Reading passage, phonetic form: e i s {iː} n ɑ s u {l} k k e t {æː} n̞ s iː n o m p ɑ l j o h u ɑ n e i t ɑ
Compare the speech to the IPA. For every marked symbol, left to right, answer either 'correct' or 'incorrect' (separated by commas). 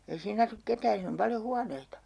correct, incorrect, correct